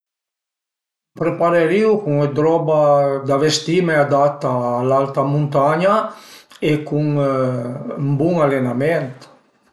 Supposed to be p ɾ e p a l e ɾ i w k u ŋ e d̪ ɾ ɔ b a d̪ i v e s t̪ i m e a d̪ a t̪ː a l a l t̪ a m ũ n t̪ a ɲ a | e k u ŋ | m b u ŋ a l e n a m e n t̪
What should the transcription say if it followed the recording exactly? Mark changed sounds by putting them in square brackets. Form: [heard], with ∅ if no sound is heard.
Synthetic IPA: p ɾ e p a [ɾ] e ɾ i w k u ŋ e d̪ ɾ ɔ b a d̪ [a] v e s t̪ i m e a d̪ a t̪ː a l a l t̪ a m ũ n t̪ a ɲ a | e k u ŋ | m b u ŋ a l e n a m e n t̪